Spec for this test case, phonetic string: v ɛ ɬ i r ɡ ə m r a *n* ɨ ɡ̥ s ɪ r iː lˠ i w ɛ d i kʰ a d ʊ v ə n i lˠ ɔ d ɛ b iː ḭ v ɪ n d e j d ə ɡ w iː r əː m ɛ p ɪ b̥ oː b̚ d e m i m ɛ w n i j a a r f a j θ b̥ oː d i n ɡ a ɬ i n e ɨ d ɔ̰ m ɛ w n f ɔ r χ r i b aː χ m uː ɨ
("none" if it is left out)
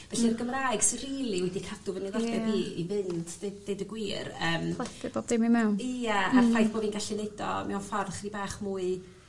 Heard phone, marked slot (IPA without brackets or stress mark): none